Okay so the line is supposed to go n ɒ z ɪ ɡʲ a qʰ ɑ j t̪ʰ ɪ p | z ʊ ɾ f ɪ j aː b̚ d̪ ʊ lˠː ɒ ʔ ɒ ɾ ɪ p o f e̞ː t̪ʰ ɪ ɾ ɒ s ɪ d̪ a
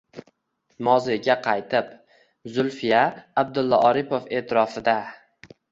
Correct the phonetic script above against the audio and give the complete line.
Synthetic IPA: m ɒ z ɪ ɡʲ a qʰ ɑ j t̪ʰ ɪ p | z ʊ l f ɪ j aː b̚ d̪ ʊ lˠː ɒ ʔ ɒ ɾ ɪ p o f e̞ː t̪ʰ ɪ ɾ ɒ f ɪ d̪ a